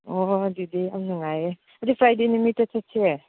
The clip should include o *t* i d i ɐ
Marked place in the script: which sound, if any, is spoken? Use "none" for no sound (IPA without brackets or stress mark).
d